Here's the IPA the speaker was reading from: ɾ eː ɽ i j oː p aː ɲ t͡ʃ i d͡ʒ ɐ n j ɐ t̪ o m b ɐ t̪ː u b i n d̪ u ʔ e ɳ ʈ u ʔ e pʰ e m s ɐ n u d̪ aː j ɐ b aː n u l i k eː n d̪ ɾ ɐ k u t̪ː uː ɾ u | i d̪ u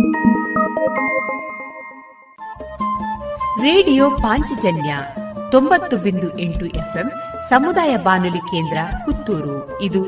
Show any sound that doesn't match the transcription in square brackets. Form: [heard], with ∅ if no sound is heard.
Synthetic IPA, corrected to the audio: ɾ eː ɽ i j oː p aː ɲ t͡ʃ i d͡ʒ ɐ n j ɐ t̪ o m b ɐ t̪ː u b i n d̪ u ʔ e ɳ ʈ u ʔ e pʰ e m s ɐ [m] u d̪ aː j ɐ b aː n u l i k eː n d̪ ɾ ɐ k u t̪ː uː ɾ u | i d̪ u